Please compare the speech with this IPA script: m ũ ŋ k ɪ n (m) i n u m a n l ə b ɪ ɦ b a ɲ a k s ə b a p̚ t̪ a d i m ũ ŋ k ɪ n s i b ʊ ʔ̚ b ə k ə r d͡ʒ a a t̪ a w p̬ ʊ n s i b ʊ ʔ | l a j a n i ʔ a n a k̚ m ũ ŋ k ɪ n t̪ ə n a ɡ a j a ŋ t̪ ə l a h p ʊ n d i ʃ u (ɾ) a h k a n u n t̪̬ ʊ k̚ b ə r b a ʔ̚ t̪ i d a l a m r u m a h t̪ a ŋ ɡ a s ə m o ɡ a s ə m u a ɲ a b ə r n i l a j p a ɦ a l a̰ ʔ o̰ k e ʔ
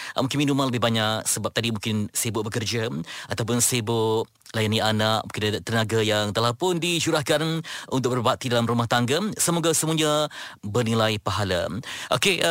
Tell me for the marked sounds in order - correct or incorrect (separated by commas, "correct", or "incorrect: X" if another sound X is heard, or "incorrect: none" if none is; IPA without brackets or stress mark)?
correct, correct